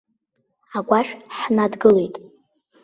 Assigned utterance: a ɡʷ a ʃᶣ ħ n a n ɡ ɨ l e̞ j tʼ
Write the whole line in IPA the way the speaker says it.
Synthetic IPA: a ɡʷ a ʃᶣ ħ n a d ɡ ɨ l e̞ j tʼ